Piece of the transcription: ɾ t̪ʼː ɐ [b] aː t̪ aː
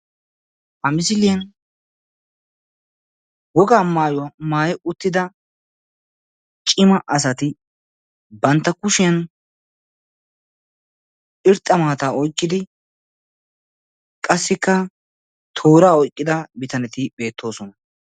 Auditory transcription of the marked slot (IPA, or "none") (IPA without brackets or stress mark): m